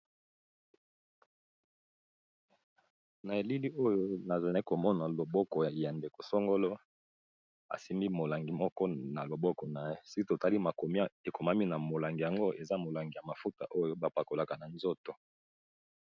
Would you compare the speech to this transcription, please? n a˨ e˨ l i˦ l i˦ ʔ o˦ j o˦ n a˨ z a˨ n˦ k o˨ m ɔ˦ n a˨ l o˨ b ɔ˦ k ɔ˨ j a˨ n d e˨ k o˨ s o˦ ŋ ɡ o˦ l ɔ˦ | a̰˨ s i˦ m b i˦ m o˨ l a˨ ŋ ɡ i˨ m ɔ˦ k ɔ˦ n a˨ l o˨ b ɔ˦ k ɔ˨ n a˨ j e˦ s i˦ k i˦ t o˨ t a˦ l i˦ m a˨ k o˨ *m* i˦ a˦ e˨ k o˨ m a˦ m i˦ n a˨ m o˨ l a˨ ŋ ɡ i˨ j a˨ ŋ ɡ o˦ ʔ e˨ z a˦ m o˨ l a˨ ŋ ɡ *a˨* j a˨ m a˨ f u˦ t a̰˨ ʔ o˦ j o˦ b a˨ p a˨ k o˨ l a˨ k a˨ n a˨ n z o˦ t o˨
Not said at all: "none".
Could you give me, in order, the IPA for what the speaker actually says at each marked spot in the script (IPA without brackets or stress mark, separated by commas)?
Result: m, i˨